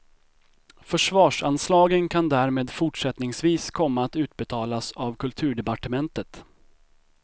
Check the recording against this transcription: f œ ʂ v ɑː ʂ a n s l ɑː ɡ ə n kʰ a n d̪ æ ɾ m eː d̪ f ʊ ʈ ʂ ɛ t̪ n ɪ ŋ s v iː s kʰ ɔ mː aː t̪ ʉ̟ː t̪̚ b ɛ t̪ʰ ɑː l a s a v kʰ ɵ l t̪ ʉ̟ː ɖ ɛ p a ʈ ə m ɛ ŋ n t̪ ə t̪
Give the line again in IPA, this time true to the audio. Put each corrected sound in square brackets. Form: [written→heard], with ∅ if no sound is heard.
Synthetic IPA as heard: f œ ʂ v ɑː ʂ a n s l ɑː ɡ ə n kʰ a n d̪ æ ɾ m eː d̪ f ʊ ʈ ʂ ɛ t̪ n ɪ ŋ s v iː s kʰ ɔ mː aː t̪ ʉ̟ː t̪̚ b ɛ t̪ʰ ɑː l a s a v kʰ ɵ l [t̪→t̪ʰ] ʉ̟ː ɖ ɛ p a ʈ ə m ɛ [ŋ→∅] n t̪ ə t̪